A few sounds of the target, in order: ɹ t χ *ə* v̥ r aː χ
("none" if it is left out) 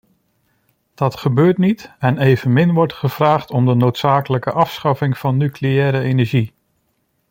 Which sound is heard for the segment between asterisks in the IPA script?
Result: ə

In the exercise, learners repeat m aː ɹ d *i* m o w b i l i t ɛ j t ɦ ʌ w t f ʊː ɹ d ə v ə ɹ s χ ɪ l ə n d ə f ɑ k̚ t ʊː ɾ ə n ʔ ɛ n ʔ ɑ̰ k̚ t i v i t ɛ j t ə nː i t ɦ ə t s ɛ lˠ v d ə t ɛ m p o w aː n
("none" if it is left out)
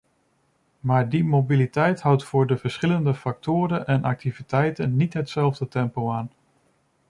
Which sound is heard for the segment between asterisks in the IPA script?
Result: i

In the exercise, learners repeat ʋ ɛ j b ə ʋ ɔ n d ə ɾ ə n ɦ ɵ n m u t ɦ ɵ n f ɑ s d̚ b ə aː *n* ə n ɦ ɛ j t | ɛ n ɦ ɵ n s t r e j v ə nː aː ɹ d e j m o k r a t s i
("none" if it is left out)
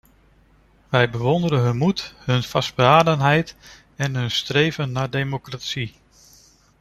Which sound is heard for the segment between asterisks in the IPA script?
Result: d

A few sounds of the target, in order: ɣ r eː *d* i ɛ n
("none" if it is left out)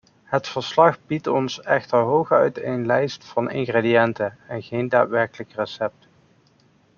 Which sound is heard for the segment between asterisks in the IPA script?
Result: d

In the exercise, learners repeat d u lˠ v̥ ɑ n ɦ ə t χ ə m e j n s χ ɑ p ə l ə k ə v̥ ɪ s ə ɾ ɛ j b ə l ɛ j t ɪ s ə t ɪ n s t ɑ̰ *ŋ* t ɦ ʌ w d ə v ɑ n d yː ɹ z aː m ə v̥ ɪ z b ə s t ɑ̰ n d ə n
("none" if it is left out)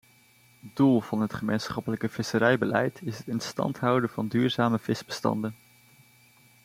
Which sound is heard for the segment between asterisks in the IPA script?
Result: n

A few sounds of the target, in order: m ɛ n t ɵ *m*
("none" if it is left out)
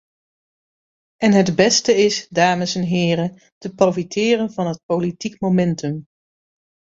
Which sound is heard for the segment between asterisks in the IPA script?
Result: m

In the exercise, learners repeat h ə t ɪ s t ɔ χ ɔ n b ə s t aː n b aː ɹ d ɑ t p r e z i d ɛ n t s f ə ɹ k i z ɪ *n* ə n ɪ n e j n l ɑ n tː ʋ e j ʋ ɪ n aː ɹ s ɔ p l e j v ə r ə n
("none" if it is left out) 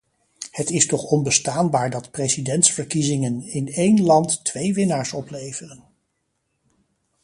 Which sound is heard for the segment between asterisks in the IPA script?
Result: ŋ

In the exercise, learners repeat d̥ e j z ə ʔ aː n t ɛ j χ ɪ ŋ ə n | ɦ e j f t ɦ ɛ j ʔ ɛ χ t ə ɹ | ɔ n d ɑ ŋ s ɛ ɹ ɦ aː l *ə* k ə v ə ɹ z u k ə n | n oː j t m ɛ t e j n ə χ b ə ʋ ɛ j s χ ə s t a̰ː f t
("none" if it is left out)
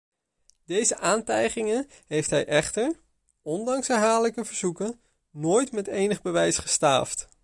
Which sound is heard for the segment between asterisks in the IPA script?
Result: ə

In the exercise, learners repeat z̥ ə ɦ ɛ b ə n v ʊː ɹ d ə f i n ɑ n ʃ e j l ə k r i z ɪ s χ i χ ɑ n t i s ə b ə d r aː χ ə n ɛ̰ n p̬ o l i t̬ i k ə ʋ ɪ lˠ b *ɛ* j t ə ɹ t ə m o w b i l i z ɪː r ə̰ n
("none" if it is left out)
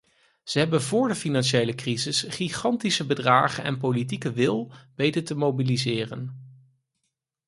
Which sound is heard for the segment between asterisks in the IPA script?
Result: e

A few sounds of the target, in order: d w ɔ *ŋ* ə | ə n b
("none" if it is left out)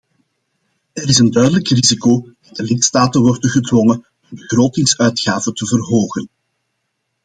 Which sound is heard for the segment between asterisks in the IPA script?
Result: ŋ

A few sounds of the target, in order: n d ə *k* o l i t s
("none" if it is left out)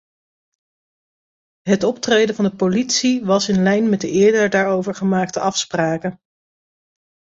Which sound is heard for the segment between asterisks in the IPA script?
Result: p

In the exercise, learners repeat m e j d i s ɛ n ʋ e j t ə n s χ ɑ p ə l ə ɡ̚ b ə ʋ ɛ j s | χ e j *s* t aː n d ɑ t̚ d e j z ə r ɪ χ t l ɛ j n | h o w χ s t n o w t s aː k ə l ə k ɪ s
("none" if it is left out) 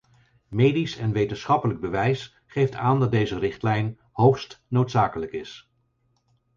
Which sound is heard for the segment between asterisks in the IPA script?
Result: f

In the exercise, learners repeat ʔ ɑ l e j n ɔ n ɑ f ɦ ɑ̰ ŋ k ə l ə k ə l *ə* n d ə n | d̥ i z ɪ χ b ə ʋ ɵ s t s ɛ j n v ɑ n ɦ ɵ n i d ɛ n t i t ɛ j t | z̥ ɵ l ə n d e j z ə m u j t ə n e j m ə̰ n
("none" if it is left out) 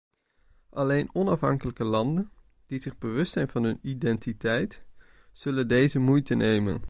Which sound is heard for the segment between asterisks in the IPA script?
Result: ɑ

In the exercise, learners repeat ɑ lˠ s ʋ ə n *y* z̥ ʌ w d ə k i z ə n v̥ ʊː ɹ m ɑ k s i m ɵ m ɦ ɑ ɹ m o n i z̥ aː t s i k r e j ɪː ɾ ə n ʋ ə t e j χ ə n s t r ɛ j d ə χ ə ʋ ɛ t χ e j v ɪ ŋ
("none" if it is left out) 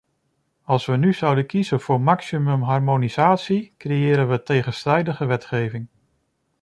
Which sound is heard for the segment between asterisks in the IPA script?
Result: y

